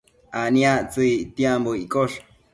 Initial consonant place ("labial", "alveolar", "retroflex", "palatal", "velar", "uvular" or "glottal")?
alveolar